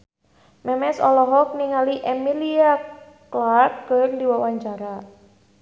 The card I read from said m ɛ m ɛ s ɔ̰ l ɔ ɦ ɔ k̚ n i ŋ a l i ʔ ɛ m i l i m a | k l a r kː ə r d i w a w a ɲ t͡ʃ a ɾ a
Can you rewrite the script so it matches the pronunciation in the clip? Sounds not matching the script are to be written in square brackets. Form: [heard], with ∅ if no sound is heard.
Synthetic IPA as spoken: m ɛ m ɛ s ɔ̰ l ɔ ɦ ɔ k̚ n i ŋ a l i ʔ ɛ m i l i [∅] a | k l a r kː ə r d i w a w a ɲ t͡ʃ a ɾ a